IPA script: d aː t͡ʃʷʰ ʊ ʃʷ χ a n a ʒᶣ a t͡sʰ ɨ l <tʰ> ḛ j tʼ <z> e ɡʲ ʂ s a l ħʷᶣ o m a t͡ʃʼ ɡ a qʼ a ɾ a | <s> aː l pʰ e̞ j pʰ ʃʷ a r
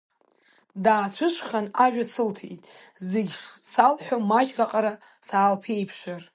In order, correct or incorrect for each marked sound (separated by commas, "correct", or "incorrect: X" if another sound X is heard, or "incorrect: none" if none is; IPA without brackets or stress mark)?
correct, correct, correct